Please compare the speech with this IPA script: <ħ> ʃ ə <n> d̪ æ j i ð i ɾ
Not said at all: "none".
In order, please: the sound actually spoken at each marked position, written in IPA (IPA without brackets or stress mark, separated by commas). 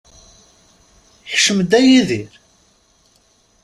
ħ, m